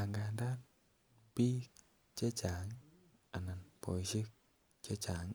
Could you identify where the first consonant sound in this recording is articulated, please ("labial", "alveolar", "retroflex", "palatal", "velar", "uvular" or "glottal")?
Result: velar